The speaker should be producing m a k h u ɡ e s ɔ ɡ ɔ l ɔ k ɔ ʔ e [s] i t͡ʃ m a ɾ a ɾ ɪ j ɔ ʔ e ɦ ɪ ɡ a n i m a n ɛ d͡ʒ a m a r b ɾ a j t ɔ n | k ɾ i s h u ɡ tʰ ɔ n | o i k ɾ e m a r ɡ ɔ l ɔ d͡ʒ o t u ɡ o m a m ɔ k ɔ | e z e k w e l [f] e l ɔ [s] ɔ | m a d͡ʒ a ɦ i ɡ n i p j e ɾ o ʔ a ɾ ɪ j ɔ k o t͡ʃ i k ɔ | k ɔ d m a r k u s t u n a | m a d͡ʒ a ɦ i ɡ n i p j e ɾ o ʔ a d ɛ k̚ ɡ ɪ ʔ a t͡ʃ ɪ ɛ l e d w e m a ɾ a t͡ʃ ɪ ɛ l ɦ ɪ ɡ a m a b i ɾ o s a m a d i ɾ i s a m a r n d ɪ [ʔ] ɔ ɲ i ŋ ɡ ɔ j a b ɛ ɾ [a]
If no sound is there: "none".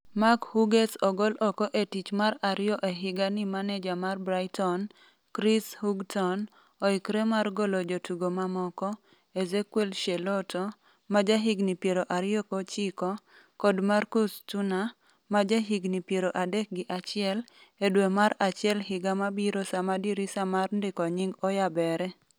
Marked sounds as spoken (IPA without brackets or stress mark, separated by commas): t, ʃ, t, k, ɛ